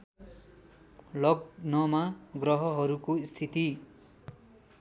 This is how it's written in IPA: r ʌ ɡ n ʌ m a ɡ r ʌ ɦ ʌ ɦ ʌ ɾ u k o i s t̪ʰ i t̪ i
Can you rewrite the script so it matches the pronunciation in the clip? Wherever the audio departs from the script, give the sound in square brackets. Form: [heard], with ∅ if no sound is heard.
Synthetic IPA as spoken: [l] ʌ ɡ n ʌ m a ɡ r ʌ ɦ ʌ ɦ ʌ ɾ u k o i s t̪ʰ i t̪ i